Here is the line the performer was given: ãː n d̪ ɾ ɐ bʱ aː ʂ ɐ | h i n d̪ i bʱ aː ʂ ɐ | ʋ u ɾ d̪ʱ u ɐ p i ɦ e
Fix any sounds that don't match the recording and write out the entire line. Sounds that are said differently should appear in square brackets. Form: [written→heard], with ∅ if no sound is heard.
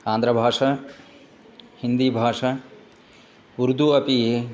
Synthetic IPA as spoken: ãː n d̪ ɾ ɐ bʱ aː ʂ ɐ | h i n d̪ i bʱ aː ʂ ɐ | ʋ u ɾ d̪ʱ u ɐ p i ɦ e

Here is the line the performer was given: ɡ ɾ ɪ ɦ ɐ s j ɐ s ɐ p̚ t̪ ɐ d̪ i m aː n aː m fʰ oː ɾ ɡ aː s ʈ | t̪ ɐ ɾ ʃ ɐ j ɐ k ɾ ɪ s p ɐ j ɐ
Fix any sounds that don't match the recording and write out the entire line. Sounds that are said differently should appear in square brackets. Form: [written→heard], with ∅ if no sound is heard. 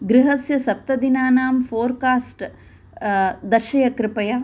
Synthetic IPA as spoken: ɡ ɾ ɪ ɦ ɐ s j ɐ s ɐ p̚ t̪ ɐ d̪ i [m→n] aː n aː m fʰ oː ɾ [ɡ→k] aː s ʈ | [t̪→d̪] ɐ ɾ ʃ ɐ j ɐ k ɾ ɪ [s→∅] p ɐ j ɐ

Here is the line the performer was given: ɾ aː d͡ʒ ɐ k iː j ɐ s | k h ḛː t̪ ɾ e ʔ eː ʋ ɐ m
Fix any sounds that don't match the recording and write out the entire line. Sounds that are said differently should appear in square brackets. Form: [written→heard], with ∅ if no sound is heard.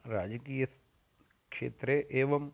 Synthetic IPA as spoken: ɾ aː d͡ʒ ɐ k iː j ɐ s | k [h→ʂ] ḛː t̪ ɾ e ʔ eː ʋ ɐ m

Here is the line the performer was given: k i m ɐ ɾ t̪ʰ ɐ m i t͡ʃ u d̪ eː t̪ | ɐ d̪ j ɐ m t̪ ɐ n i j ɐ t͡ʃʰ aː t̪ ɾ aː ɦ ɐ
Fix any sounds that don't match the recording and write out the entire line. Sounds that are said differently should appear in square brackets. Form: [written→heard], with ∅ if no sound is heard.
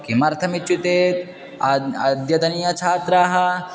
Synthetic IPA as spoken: k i m ɐ ɾ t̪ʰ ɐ m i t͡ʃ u [d̪→t̪] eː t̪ | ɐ d̪ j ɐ [m→∅] t̪ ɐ n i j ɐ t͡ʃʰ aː t̪ ɾ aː ɦ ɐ

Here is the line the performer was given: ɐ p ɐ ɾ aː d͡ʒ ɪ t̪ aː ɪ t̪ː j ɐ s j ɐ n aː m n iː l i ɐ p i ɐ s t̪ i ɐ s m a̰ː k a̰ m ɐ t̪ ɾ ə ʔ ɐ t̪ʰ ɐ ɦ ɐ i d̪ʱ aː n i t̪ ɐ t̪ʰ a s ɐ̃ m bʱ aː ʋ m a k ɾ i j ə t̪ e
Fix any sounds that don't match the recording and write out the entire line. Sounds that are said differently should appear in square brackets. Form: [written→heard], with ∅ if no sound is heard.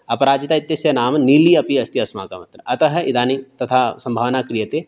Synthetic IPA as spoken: ɐ p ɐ ɾ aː d͡ʒ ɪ t̪ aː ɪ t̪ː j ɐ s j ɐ n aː m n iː l i ɐ p i ɐ s t̪ i ɐ s m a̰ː k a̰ m ɐ t̪ ɾ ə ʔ ɐ [t̪ʰ→t̪] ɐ ɦ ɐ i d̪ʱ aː n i t̪ ɐ t̪ʰ a s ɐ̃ m bʱ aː ʋ [m→n] a k ɾ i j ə t̪ e

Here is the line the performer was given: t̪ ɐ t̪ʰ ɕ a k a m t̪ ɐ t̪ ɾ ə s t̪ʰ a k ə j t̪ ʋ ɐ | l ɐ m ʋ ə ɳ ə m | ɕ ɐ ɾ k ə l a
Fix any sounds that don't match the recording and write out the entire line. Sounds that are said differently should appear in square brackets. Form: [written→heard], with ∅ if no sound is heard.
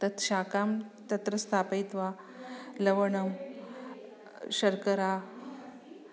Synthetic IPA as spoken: t̪ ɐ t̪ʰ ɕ a k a m t̪ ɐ t̪ ɾ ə s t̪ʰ a [k→p] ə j t̪ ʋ [ɐ→a] | l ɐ [m→∅] ʋ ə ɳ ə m | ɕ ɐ ɾ k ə [l→ɾ] a

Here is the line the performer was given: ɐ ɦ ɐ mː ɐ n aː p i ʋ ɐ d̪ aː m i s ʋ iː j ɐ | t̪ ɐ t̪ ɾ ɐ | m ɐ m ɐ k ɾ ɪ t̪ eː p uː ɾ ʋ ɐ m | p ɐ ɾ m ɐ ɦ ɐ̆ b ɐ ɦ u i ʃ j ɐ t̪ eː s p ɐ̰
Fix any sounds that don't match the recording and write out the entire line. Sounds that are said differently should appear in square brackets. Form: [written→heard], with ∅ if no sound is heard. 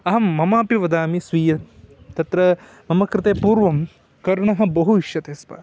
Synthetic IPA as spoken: ɐ ɦ ɐ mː ɐ [n→m] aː p i ʋ ɐ d̪ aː m i s ʋ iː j ɐ | t̪ ɐ t̪ ɾ ɐ | m ɐ m ɐ k ɾ ɪ t̪ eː p uː ɾ ʋ ɐ m | [p→k] ɐ ɾ [m→ɳ] ɐ ɦ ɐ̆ b ɐ ɦ u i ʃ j ɐ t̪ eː s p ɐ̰

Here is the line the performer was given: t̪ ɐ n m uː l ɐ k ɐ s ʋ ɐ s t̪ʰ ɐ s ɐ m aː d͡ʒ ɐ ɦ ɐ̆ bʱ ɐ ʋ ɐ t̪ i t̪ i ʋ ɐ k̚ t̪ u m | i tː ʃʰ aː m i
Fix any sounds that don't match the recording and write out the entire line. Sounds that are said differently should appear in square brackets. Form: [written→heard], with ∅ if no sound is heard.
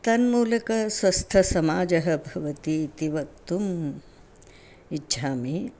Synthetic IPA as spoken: t̪ ɐ n m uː l ɐ k ɐ s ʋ ɐ s t̪ʰ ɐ s ɐ m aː d͡ʒ ɐ ɦ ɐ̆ bʱ ɐ ʋ ɐ t̪ i t̪ i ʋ ɐ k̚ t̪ u m | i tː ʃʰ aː m i

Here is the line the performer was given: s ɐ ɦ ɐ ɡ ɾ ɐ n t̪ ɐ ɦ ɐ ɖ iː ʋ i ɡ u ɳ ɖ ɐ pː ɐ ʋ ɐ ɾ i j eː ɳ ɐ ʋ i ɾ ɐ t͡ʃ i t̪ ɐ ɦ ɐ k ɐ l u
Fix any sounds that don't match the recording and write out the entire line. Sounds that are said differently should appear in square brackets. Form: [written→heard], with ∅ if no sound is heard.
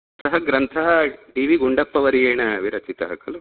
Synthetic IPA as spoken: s ɐ ɦ ɐ ɡ ɾ ɐ n [t̪→t̪ʰ] ɐ ɦ ɐ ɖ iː ʋ i ɡ u ɳ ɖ ɐ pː ɐ ʋ ɐ ɾ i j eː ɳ ɐ ʋ i ɾ ɐ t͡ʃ i t̪ ɐ ɦ ɐ k ɐ l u

